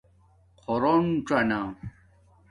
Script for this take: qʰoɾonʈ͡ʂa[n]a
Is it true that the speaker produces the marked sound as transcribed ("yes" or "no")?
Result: yes